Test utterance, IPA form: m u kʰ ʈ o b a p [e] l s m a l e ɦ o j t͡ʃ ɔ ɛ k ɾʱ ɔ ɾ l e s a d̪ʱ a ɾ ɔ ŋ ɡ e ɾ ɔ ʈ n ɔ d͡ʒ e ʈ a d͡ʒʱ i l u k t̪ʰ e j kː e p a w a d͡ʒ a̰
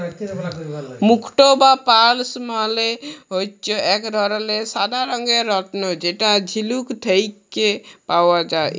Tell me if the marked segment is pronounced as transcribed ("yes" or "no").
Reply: no